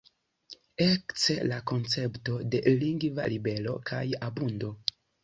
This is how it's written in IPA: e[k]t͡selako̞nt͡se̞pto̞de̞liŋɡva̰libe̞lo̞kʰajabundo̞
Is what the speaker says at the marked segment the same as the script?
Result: yes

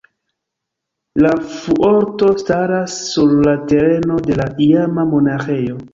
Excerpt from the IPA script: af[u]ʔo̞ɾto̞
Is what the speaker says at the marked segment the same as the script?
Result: yes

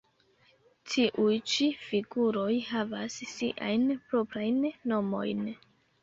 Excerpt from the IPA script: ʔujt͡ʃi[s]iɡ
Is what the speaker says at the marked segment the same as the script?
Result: no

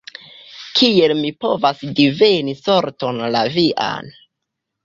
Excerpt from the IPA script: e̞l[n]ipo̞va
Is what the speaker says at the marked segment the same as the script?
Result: no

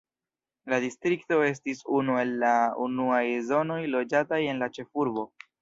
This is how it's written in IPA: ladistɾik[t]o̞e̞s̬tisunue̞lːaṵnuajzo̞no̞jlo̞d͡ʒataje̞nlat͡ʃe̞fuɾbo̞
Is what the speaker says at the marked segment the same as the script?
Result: yes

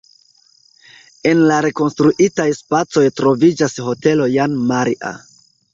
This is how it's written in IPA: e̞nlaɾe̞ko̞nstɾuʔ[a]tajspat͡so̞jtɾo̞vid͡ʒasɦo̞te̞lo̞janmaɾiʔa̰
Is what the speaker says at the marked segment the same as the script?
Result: no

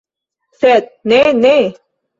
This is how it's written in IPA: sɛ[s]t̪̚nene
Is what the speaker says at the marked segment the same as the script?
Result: no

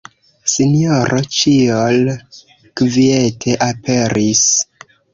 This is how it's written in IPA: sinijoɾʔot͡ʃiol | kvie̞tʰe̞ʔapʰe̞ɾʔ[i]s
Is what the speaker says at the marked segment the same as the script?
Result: yes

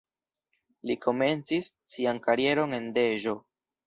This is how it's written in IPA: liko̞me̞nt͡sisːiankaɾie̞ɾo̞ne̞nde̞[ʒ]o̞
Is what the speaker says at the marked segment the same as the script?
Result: yes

